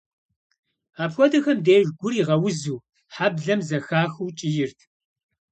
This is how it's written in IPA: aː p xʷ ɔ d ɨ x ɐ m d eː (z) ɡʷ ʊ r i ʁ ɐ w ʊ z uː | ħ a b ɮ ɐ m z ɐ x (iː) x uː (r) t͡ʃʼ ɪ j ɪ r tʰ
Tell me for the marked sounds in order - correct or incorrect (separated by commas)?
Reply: incorrect, incorrect, incorrect